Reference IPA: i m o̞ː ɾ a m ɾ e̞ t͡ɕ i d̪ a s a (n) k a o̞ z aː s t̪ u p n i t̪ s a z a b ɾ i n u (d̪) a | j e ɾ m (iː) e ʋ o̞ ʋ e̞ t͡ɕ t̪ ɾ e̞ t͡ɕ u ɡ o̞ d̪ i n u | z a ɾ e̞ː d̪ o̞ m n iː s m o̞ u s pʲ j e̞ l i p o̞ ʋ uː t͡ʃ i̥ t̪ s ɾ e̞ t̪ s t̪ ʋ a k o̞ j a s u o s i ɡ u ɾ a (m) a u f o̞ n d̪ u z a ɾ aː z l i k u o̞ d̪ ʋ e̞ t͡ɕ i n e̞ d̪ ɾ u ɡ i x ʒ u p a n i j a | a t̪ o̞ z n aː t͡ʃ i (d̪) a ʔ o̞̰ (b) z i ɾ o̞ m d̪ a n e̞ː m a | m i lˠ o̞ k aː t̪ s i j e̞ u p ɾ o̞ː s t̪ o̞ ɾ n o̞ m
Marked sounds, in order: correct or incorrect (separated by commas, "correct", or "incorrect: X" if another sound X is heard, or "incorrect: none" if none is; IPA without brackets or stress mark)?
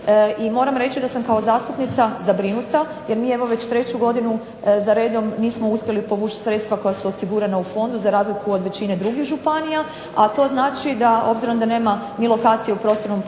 incorrect: m, incorrect: t̪, correct, incorrect: n, correct, correct